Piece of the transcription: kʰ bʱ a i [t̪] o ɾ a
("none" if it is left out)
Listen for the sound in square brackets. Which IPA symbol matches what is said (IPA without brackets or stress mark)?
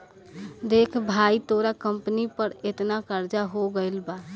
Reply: t̪